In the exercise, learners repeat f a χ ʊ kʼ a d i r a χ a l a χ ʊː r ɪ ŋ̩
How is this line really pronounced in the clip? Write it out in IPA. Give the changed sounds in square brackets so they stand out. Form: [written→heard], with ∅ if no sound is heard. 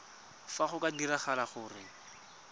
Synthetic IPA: f a χ ʊ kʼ a d i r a χ a l a χ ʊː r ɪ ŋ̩